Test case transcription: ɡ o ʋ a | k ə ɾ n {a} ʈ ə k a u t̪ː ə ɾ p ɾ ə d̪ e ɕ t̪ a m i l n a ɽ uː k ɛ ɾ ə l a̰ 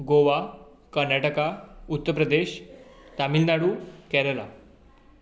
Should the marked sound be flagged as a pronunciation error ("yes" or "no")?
no